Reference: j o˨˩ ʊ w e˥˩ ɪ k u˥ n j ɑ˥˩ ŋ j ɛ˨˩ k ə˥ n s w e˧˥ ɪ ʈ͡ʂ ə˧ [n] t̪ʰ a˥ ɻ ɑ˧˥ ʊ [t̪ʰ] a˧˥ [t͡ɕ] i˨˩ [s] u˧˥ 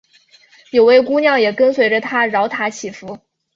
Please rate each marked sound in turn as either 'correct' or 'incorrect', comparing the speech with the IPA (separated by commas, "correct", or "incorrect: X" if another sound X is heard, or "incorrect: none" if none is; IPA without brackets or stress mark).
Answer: incorrect: none, correct, incorrect: t͡ɕʰ, incorrect: f